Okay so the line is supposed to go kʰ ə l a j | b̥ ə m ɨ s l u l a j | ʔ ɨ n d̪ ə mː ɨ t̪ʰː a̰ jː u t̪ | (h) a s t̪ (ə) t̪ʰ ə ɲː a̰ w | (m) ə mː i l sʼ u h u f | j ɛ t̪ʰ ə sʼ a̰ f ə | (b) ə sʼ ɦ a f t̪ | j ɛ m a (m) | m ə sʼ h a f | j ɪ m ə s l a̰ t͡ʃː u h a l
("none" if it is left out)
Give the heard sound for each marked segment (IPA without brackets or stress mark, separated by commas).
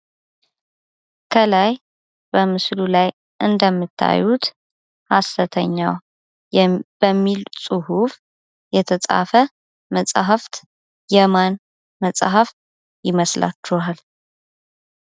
h, ə, b, m, n